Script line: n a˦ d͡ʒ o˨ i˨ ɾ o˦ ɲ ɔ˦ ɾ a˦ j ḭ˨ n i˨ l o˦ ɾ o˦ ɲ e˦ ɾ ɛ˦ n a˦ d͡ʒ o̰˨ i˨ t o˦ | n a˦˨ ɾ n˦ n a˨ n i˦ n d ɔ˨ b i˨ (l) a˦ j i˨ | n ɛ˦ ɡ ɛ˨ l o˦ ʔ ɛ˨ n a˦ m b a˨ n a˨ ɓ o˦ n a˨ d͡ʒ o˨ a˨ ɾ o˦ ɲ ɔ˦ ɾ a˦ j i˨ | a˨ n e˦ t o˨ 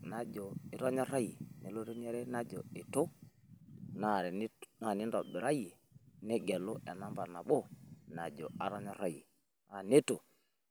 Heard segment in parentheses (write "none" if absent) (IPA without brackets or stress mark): ɾ